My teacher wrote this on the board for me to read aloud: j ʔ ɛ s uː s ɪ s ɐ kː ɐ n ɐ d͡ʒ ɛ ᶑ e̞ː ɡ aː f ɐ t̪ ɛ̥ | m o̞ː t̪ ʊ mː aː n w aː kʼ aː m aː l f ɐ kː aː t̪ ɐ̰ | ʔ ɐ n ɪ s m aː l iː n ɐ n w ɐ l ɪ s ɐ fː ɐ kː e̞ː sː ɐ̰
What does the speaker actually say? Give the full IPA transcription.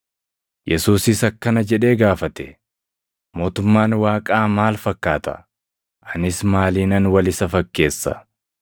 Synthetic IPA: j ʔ ɛ s uː s ɪ s ɐ kː ɐ n ɐ d͡ʒ ɛ ᶑ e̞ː ɡ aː f ɐ t̪ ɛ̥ | m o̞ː t̪ ʊ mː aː n w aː kʼ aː m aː l f ɐ kː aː t̪ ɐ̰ | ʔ ɐ n ɪ s m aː l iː n ɐ n w ɐ l ɪ s ɐ f ɐ kː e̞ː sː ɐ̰